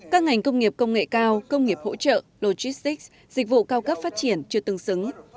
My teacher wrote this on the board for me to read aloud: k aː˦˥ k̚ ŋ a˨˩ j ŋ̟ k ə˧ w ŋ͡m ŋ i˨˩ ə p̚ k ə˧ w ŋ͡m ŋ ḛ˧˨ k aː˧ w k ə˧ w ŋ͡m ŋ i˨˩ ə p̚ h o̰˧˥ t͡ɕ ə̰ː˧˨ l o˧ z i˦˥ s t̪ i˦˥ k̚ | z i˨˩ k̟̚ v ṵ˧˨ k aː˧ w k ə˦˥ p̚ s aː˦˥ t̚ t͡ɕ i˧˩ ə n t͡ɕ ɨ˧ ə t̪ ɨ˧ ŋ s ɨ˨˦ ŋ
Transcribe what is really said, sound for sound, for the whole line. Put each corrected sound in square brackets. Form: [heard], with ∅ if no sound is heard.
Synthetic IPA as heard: k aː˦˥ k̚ ŋ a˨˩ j ŋ̟ k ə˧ w ŋ͡m ŋ i˨˩ ə p̚ k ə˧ w ŋ͡m ŋ ḛ˧˨ k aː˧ w k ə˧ w ŋ͡m ŋ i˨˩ ə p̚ h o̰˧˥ t͡ɕ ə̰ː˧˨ l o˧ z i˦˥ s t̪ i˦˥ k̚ | z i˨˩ k̟̚ v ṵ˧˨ k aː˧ w k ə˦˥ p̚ [f] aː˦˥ t̚ t͡ɕ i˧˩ ə n t͡ɕ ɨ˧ ə t̪ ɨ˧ ŋ s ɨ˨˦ ŋ